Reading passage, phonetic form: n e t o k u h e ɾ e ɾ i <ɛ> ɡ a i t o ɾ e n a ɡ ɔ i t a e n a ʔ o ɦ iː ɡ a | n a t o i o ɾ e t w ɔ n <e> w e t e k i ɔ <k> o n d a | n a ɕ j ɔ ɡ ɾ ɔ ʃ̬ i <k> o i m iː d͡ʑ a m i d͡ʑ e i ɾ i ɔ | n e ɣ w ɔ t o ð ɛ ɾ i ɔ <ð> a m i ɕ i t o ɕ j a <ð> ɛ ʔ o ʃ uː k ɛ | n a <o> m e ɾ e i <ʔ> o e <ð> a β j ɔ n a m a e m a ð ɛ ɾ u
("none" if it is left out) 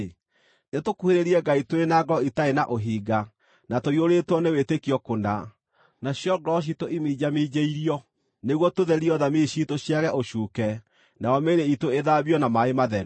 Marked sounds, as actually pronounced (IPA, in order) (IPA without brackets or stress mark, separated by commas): ɛ, e, k, t, ð, ɣ, ɔ, t, ð